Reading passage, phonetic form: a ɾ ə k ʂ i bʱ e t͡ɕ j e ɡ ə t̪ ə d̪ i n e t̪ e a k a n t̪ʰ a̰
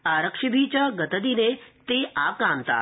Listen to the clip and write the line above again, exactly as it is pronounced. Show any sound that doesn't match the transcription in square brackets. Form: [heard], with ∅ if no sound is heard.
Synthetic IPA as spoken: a ɾ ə k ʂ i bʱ [i] t͡ɕ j [a] ɡ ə t̪ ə d̪ i n e t̪ e a k a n [t̪] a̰